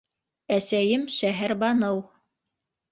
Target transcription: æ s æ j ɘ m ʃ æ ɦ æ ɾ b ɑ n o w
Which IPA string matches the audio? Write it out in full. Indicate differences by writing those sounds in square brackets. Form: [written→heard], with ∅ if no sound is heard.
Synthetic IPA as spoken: æ s æ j ɘ m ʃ æ ɦ æ ɾ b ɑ n [o→ɤ] w